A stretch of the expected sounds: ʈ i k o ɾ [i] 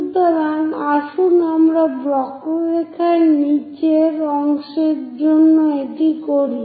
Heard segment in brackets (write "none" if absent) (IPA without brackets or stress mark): i